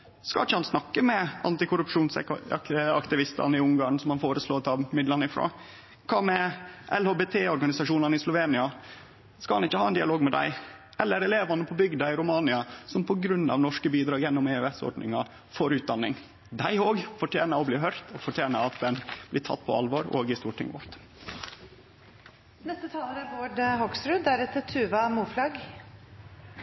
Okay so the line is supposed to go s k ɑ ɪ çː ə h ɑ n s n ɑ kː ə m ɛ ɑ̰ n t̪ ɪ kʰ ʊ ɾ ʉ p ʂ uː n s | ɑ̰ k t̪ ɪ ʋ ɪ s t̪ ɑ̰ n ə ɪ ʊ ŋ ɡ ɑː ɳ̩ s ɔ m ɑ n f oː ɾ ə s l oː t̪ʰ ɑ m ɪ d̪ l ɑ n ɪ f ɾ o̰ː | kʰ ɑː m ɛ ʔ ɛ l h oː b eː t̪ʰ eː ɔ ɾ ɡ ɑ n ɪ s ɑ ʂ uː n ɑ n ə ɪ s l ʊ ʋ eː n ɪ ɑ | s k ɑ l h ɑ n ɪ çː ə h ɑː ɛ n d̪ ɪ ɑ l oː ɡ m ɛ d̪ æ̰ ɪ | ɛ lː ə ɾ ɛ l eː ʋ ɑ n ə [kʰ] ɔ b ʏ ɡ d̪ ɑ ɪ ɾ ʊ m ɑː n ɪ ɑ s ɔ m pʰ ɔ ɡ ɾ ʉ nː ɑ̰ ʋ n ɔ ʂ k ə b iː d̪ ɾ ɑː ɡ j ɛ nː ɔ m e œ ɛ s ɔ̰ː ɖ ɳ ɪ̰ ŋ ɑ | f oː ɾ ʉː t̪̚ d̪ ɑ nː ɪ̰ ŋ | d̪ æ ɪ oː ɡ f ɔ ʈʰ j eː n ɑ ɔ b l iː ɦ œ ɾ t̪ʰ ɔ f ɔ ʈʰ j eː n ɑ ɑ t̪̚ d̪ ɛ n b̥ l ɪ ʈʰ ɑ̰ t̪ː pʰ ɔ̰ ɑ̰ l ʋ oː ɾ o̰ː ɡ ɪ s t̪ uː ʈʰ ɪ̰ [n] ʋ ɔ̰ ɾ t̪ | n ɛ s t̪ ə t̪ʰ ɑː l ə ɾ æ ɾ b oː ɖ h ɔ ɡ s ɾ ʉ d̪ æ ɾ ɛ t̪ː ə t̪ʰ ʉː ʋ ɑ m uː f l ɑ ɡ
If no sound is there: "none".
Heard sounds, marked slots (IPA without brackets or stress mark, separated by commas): pʰ, ŋ